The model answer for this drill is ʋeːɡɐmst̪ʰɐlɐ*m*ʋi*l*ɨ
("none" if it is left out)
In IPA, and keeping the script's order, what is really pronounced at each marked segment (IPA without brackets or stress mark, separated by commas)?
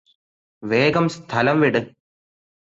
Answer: m, ɽ